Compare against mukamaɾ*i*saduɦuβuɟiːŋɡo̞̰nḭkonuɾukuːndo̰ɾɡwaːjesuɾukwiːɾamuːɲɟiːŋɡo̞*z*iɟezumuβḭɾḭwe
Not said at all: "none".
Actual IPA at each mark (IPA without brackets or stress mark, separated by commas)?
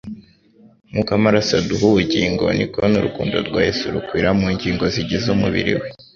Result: a, z